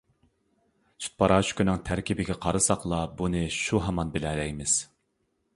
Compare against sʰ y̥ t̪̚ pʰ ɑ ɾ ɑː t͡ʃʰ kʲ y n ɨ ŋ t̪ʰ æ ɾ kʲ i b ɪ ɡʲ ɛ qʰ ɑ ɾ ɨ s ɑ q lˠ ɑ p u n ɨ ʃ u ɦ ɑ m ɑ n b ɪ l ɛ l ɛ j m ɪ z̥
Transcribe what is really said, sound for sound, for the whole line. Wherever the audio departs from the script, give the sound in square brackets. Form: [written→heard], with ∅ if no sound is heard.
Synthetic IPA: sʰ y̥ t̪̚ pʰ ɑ ɾ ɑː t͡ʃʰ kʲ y n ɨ ŋ t̪ʰ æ ɾ kʲ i b ɪ ɡʲ ɛ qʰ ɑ ɾ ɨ s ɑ q lˠ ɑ [p→b] u n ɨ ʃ u ɦ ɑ m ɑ n b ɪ l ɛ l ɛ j m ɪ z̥